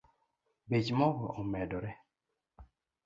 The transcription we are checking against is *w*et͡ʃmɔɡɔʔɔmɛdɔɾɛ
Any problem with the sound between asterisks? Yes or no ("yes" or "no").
yes